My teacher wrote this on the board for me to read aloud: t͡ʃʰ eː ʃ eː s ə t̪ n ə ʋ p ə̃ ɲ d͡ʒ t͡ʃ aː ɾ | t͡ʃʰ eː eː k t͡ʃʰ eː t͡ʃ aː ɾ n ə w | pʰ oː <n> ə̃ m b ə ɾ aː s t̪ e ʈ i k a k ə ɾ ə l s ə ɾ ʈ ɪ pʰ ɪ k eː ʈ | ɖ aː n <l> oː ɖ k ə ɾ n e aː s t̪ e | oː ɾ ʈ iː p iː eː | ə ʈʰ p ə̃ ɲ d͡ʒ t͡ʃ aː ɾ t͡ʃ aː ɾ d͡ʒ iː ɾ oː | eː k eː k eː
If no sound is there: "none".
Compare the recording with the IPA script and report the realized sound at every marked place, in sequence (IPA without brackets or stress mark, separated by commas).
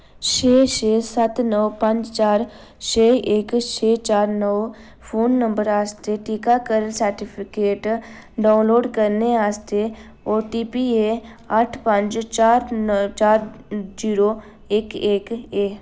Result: nː, l